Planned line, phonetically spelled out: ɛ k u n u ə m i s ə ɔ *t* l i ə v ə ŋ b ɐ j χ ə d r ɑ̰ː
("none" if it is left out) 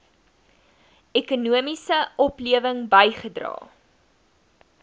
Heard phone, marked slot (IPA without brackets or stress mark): p